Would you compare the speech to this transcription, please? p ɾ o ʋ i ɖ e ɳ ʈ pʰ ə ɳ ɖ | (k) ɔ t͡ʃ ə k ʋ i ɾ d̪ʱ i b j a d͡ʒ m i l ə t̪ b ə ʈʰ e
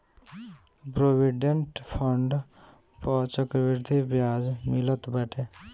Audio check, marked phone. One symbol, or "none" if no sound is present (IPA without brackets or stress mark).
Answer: p